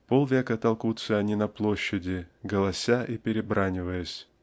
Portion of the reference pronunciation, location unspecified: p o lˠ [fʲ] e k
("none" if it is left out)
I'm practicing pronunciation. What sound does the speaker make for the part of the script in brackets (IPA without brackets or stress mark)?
vʲ